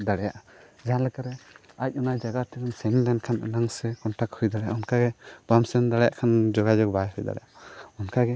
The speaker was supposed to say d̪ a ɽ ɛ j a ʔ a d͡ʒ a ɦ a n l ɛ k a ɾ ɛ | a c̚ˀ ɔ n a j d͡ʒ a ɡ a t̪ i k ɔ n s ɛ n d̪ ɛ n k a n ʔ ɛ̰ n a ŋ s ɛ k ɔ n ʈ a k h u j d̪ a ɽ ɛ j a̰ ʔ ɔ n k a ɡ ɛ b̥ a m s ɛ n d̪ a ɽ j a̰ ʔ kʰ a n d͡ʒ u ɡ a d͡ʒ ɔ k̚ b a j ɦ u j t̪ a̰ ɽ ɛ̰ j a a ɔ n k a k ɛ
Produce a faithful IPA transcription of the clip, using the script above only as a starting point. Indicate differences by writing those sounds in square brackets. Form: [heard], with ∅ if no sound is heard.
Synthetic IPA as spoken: d̪ a ɽ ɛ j a ʔ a d͡ʒ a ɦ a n l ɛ k a ɾ ɛ | a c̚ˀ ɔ n a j d͡ʒ a ɡ a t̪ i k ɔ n s ɛ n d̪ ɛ n [kʰ] a n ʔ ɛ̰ n a ŋ s ɛ k ɔ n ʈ a k h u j d̪ a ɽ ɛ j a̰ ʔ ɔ n k a ɡ ɛ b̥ a m s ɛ n d̪ a ɽ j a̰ ʔ kʰ a n d͡ʒ [ɔ] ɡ a d͡ʒ ɔ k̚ b a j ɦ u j [d̪] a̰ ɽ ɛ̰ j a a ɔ n k a [ɡ] ɛ

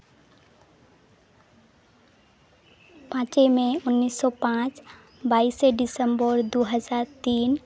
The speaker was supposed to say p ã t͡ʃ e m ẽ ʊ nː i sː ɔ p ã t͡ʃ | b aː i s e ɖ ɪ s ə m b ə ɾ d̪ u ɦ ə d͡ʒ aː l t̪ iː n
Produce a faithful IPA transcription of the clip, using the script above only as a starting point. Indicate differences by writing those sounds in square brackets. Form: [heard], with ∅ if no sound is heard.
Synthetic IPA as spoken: p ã t͡ʃ e m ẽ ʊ nː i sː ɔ p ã t͡ʃ | b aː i s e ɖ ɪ s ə m b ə ɾ d̪ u ɦ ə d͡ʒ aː [ɾ] t̪ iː n

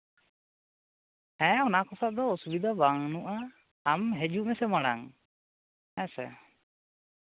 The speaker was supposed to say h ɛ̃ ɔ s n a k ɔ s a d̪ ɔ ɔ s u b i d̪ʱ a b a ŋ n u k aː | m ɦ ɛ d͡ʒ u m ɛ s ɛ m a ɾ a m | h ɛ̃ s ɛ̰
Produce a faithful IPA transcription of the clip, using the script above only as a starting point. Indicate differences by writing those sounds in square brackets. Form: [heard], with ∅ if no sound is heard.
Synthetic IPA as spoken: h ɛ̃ ɔ [∅] n a k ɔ s a d̪ ɔ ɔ s u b i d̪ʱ a b a ŋ n u [ʔ] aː | m ɦ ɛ d͡ʒ u m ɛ s ɛ m a [ɽ] a [ŋ] | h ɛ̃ s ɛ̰

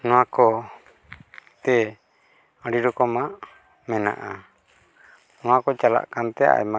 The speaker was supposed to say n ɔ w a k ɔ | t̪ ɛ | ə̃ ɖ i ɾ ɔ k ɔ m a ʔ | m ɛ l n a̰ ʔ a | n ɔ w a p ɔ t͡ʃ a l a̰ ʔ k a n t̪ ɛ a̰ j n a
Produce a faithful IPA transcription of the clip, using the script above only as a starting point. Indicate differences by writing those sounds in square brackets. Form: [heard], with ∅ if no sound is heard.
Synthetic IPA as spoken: n ɔ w a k ɔ | t̪ ɛ | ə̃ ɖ i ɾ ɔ k ɔ m a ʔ | m ɛ [∅] n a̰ ʔ a | n ɔ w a [k] ɔ t͡ʃ a l a̰ ʔ k a n t̪ ɛ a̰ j [m] a

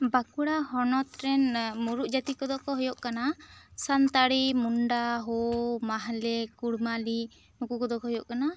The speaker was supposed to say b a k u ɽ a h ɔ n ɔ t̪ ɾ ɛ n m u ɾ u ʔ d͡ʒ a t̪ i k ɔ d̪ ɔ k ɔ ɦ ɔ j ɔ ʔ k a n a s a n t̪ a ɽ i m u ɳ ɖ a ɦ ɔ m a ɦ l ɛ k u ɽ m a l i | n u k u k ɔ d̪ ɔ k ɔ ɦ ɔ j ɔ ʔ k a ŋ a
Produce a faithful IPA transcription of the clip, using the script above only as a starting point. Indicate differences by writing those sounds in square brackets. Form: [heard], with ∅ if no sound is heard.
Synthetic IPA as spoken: b a k u ɽ a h ɔ n ɔ t̪ ɾ ɛ n m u ɾ u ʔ d͡ʒ a t̪ i k ɔ d̪ ɔ k ɔ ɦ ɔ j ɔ ʔ k a n a s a n t̪ a ɽ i m u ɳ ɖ a ɦ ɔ m a ɦ l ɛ k u ɽ m a l i | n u k u k ɔ d̪ ɔ k ɔ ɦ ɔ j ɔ ʔ k a [n] a

